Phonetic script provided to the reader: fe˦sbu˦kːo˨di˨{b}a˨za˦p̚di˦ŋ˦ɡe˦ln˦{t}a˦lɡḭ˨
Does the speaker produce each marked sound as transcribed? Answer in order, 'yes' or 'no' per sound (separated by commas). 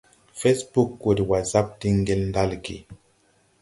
no, no